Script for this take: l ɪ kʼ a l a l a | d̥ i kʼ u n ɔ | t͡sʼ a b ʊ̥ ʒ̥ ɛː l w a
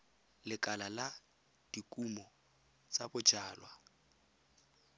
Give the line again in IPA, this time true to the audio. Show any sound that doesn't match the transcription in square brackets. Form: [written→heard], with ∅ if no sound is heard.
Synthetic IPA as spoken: l ɪ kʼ a l a l a | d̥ i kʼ u [n→m] ɔ | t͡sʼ a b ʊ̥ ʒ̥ [ɛː→aː] l w a

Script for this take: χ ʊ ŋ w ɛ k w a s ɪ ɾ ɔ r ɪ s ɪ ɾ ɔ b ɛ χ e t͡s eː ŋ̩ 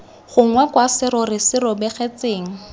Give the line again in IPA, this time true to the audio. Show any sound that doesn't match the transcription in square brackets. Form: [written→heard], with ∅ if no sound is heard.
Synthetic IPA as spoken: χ ʊ ŋ w ɛ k w a s ɪ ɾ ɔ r ɪ s ɪ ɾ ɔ b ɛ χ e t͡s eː ŋ̩

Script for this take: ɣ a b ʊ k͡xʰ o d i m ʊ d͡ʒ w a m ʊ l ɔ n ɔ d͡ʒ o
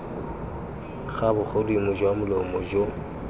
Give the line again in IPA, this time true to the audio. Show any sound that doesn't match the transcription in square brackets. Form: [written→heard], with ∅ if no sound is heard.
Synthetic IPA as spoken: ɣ a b ʊ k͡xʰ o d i m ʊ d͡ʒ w a m ʊ l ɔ [n→m] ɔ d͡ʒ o

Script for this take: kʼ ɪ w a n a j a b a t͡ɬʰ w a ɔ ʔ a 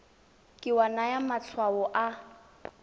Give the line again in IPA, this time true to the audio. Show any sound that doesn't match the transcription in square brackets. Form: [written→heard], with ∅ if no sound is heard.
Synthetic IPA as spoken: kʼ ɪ w a n a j a [b→m] a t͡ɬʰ w a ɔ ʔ a

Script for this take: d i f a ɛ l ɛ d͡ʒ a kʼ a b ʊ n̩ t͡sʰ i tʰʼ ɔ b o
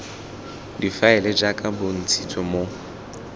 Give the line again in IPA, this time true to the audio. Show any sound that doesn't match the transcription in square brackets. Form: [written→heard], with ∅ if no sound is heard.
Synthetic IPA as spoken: d i f a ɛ l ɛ d͡ʒ a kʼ a b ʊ n̩ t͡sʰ i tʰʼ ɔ [b→m] o

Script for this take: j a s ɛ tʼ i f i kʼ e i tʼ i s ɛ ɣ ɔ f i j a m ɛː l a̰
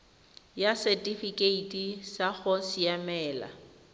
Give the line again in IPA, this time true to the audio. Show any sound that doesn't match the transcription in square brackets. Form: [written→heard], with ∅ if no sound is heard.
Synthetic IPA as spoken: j a s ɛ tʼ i f i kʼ e i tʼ i s [ɛ→a] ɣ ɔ [f→s] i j a m ɛː l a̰

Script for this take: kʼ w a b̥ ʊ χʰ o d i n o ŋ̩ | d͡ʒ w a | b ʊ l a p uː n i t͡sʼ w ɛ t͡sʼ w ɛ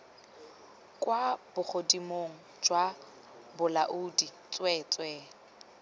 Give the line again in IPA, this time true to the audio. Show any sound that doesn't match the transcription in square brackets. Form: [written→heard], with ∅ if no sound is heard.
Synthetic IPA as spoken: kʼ w a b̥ ʊ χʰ o d i [n→m] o ŋ̩ | d͡ʒ w a | b ʊ l a [p→ʔ] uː [n→d] i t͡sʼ w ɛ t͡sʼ w ɛ

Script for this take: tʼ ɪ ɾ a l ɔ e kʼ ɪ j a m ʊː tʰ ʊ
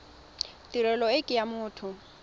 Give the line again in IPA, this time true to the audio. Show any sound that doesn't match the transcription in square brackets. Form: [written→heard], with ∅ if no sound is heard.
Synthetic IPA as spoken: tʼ [ɪ→i] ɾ [a→ɛ] l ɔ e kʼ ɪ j a m ʊː tʰ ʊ

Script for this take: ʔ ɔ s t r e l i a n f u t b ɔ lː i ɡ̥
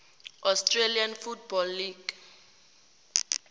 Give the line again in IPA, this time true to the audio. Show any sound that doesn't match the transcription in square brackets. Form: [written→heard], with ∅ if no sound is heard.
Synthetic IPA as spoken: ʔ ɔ s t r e l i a n f u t b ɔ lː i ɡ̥

